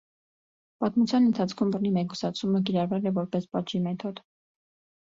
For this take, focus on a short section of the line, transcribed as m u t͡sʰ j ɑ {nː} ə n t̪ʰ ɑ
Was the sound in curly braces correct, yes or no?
no